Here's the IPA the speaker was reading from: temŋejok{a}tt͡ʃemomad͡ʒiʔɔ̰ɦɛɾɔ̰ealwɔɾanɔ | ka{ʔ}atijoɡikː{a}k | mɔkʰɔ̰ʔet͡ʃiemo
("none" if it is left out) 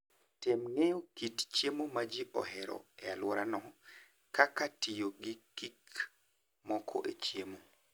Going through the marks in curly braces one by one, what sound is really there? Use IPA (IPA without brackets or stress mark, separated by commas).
i, k, i